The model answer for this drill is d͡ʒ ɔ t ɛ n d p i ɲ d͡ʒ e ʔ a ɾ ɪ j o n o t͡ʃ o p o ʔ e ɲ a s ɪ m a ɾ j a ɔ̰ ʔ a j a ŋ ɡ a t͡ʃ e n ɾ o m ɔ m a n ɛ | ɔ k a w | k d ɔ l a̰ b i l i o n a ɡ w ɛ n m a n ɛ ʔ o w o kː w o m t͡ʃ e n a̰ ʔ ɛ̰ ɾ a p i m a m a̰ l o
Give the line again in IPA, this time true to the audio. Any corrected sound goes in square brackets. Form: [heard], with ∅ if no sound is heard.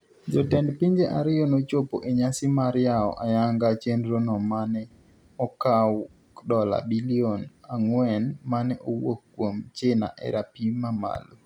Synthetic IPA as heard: d͡ʒ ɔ t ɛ n d p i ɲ d͡ʒ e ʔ a ɾ ɪ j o n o t͡ʃ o p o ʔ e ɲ a s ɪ m a ɾ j a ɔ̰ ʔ a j a ŋ ɡ a t͡ʃ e n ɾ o [n] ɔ m a n ɛ | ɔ k a w | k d ɔ l a̰ b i l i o n a [ŋ] w ɛ n m a n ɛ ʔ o w o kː w o m t͡ʃ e n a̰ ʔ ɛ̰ ɾ a p i m a m a̰ l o

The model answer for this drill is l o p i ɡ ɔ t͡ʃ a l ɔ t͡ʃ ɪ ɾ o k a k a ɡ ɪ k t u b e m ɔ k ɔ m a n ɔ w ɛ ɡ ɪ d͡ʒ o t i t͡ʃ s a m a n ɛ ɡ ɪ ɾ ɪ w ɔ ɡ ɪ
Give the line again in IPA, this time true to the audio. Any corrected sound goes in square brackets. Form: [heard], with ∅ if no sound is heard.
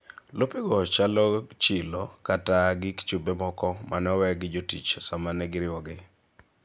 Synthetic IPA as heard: l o p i ɡ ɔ t͡ʃ a l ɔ t͡ʃ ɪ [l] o k a [t] a ɡ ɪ k [t͡ʃ] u b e m ɔ k ɔ m a n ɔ w ɛ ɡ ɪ d͡ʒ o t i t͡ʃ s a m a n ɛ ɡ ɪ ɾ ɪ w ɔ ɡ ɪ

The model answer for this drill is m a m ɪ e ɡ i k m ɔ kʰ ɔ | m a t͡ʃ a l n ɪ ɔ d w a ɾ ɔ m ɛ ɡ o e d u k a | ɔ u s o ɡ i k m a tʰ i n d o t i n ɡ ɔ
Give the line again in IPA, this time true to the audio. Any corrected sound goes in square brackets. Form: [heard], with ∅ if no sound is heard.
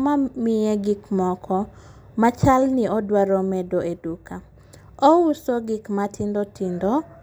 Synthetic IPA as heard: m a m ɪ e ɡ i k m ɔ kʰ ɔ | m a t͡ʃ a l n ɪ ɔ d w a ɾ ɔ m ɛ [d] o e d u k a | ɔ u s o ɡ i k m a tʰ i n d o t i n [d] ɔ

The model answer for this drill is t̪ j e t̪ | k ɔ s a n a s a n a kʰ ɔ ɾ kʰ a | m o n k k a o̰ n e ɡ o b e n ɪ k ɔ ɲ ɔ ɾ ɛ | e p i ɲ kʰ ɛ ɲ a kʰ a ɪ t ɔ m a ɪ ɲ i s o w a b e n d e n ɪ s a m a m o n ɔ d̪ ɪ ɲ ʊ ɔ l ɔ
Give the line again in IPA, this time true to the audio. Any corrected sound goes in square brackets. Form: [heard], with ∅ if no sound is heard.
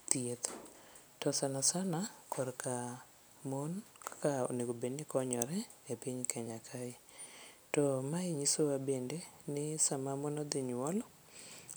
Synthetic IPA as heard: t̪ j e t̪ | [t] ɔ s a n a s a n a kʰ ɔ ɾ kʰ a | m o n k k a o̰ n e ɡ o b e n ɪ k ɔ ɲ ɔ ɾ ɛ | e p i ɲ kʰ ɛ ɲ a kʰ a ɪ t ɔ m a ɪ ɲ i s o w a b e n d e n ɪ s a m a m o n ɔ d̪ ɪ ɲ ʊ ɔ l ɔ

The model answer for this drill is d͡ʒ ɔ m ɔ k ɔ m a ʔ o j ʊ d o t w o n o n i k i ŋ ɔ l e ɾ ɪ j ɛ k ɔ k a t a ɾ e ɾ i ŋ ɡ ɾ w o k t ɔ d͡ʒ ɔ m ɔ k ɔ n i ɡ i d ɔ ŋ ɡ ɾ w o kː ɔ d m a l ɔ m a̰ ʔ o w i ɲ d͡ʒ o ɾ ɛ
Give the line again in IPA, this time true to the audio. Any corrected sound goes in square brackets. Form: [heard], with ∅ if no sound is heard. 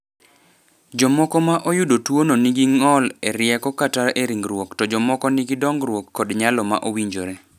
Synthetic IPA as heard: d͡ʒ ɔ m ɔ k ɔ m a ʔ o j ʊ d o t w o n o n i [ɡ] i ŋ ɔ l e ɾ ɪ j ɛ k ɔ k a t a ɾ e ɾ i ŋ ɡ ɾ w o k t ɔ d͡ʒ ɔ m ɔ k ɔ n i ɡ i d ɔ ŋ ɡ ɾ w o kː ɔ d [ɲ] a l ɔ m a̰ ʔ o w i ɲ d͡ʒ o ɾ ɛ

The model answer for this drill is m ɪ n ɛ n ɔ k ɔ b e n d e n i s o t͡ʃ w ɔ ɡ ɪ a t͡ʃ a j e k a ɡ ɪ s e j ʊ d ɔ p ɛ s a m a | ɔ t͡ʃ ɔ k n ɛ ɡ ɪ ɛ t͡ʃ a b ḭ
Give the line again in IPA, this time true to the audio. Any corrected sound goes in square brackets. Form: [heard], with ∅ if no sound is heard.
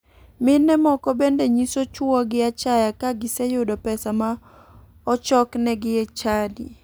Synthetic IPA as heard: m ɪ n ɛ [m] ɔ k ɔ b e n d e [ɲ] i s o t͡ʃ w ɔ ɡ ɪ a t͡ʃ a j [a] k a ɡ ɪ s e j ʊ d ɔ p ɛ s a m a | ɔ t͡ʃ ɔ k n ɛ ɡ ɪ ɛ t͡ʃ a [d] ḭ

